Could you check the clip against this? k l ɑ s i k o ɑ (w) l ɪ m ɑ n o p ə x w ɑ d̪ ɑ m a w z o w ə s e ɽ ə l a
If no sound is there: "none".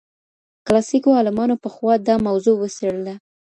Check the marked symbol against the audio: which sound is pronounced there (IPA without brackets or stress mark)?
none